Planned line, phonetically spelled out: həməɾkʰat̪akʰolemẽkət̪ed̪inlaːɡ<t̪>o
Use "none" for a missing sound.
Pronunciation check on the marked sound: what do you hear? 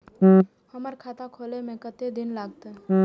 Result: t̪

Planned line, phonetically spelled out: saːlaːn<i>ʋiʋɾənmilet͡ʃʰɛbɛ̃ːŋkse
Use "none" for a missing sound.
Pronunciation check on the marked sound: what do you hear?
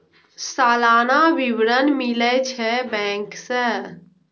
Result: a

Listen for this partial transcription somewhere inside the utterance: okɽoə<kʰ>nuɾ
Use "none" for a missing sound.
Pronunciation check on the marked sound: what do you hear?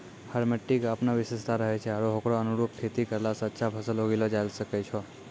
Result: none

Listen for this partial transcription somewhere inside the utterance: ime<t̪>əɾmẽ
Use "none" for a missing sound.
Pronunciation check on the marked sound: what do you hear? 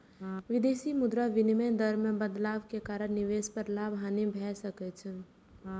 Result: d̪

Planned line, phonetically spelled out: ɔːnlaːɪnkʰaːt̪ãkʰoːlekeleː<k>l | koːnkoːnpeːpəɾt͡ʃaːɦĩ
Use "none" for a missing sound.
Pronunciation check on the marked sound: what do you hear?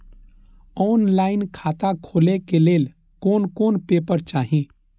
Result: none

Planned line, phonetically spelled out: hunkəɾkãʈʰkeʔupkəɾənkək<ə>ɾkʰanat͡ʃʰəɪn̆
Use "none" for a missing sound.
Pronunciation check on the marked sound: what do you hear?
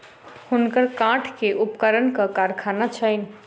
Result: a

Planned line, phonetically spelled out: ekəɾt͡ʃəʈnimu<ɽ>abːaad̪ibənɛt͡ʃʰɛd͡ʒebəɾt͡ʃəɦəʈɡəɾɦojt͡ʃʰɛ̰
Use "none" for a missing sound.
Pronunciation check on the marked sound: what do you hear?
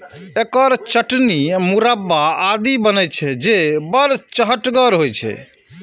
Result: ɾ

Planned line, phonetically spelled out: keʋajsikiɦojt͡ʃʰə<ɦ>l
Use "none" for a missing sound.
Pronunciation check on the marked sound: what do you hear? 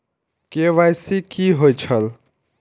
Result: none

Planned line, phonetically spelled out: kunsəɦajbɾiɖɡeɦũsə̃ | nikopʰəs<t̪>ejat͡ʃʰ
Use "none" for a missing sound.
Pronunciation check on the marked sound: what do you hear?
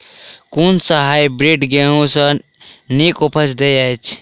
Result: d̪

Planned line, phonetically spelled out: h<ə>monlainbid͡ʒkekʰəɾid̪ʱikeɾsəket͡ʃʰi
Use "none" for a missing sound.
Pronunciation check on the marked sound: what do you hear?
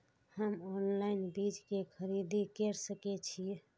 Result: ə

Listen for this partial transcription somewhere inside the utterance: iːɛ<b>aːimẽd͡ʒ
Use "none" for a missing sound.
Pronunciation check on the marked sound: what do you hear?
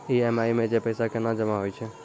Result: m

